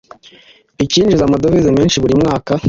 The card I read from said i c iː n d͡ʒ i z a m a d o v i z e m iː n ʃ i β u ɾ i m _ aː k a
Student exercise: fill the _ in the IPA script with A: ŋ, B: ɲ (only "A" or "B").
A